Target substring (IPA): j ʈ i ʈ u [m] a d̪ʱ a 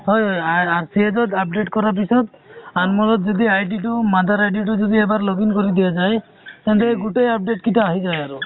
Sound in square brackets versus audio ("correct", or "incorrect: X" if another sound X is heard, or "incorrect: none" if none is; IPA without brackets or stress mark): correct